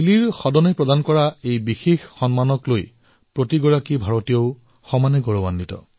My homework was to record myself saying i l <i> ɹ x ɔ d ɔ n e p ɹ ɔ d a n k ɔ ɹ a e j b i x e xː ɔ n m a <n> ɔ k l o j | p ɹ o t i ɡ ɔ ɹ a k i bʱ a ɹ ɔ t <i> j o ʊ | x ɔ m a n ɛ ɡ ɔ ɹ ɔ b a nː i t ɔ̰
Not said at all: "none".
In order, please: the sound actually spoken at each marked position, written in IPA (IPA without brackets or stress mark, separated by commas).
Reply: i, n, i